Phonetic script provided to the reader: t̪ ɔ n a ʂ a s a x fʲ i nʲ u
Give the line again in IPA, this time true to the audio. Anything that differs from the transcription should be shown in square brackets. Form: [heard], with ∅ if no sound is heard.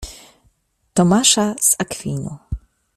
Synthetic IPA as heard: t̪ ɔ [m] a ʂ a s a [k] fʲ i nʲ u